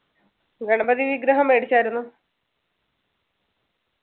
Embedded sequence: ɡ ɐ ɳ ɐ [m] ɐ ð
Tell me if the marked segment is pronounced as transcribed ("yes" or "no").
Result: no